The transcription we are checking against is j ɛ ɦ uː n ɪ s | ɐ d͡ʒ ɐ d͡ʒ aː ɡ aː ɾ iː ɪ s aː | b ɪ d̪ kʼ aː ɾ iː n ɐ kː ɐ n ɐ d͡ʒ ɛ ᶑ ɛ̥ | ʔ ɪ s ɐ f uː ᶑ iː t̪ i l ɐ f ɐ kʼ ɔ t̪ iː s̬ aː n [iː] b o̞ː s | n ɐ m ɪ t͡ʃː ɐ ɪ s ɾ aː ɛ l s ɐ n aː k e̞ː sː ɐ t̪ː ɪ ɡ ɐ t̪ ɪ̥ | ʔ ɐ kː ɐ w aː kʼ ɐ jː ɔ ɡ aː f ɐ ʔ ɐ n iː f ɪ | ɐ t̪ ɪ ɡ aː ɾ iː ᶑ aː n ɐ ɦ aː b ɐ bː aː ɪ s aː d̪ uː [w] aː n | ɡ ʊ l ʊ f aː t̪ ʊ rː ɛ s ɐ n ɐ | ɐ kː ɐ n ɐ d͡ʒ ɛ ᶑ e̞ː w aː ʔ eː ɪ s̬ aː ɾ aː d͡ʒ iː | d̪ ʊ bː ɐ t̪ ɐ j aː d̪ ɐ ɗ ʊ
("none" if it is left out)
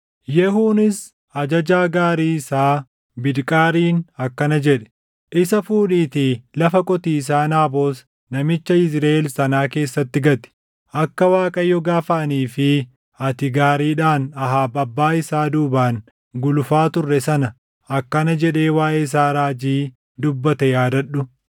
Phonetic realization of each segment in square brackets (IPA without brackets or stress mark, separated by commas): aː, b